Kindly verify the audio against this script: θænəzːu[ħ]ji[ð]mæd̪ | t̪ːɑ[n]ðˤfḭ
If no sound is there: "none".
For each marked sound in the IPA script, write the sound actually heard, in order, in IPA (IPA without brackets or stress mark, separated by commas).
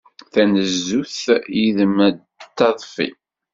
θ, ð, none